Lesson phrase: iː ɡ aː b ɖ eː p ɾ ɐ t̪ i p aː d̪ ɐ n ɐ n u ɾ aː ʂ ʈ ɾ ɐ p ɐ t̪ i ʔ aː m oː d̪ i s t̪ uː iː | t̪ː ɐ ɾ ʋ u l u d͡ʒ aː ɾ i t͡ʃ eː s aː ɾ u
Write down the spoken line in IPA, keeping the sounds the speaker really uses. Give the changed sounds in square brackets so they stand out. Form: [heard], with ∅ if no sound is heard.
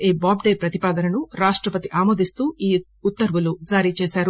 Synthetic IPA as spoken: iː [b] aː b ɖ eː p ɾ ɐ t̪ i p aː d̪ ɐ n ɐ n u ɾ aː ʂ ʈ ɾ ɐ p ɐ t̪ i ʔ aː m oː d̪ i s t̪ uː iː | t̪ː ɐ ɾ ʋ u l u d͡ʒ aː ɾ i t͡ʃ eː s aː ɾ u